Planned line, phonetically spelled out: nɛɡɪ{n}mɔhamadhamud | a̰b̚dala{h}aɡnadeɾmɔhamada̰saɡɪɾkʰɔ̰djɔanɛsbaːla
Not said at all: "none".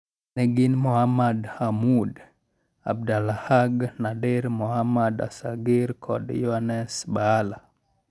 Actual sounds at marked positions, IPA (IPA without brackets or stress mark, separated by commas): n, h